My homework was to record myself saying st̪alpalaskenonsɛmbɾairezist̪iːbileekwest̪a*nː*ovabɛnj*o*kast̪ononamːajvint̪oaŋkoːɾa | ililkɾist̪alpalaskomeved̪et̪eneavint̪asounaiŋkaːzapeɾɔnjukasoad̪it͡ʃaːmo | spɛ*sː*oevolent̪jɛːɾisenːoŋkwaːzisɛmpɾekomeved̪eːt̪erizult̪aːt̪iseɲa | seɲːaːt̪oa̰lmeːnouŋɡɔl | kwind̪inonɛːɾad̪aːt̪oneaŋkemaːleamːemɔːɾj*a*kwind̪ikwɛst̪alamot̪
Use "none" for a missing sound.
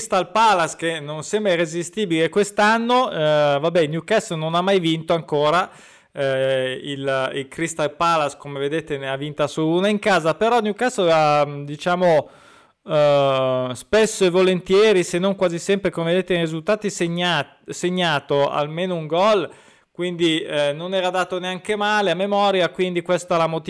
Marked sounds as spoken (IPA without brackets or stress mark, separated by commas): nː, u, sː, a